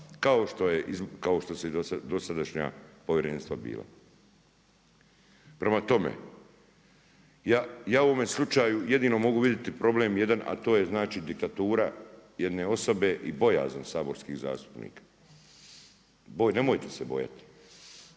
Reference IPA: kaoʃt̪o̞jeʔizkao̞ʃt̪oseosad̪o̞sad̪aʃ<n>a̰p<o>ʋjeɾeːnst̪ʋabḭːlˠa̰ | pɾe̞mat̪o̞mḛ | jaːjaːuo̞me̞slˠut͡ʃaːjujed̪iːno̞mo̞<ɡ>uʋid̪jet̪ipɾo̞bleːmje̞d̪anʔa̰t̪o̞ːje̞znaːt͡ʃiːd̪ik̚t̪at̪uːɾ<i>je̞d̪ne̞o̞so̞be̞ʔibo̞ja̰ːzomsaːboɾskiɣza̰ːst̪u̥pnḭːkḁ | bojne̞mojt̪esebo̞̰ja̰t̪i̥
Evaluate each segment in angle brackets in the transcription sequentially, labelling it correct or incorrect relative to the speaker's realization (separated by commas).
incorrect, correct, correct, incorrect